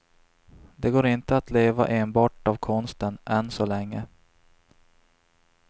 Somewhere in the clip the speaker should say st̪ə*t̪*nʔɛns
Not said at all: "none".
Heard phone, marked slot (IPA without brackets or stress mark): none